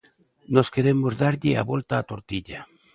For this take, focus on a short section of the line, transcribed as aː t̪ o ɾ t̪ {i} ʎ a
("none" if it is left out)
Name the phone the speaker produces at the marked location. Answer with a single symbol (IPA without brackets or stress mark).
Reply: i